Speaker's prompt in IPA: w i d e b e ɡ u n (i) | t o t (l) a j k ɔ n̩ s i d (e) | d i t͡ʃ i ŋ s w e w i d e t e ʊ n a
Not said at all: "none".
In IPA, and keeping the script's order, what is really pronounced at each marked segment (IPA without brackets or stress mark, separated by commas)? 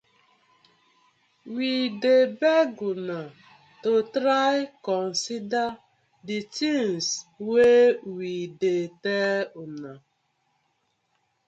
a, ɾ, a